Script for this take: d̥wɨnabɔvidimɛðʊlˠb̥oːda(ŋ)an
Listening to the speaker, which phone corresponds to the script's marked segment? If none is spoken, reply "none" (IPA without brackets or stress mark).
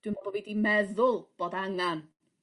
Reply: ŋ